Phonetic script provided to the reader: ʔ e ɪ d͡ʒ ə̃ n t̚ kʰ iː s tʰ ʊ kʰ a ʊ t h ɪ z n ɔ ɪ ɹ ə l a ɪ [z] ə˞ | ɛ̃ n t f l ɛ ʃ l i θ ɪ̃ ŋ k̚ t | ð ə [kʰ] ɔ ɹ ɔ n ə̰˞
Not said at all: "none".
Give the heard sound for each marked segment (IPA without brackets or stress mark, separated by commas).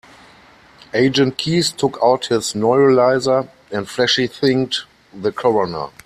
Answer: z, kʰ